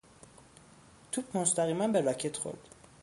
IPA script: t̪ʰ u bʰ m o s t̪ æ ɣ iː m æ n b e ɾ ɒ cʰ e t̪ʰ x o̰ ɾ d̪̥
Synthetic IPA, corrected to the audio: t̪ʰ u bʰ m o s t̪ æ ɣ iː m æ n b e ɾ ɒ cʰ e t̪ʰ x o̰ ɾ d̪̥